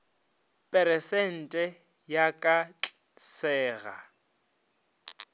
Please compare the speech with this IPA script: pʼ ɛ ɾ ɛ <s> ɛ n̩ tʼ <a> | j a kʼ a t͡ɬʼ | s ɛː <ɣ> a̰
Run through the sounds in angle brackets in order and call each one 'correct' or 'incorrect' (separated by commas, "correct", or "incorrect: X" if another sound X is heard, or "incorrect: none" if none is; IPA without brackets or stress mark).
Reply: correct, incorrect: ɛ, correct